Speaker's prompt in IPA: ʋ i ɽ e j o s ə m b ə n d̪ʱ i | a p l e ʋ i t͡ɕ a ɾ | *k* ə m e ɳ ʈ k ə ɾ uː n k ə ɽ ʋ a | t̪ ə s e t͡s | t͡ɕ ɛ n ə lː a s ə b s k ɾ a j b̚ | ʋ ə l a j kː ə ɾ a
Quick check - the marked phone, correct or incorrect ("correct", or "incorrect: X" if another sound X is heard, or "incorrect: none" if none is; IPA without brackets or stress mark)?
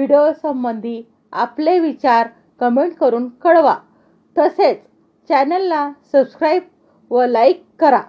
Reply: correct